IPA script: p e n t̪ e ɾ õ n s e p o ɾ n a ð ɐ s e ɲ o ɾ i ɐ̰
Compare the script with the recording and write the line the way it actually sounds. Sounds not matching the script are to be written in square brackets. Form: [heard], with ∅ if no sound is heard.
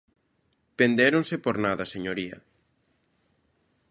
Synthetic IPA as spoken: p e n [d̪] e ɾ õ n s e p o ɾ n a ð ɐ s e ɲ o ɾ i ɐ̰